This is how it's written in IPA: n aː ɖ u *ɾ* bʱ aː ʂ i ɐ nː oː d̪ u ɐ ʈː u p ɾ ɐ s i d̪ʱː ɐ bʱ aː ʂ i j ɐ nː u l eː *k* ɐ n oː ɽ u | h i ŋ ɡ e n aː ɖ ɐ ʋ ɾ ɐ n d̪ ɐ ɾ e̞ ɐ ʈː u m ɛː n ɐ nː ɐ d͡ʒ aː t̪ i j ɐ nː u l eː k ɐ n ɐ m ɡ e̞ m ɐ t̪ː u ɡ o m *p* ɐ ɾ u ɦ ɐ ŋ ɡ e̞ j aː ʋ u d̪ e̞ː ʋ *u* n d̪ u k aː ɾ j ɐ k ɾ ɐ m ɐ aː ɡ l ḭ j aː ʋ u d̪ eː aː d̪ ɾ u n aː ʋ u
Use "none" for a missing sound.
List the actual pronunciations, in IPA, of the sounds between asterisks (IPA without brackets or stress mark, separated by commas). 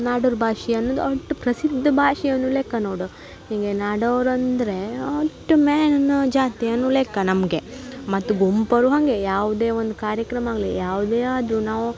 ɾ, k, p, o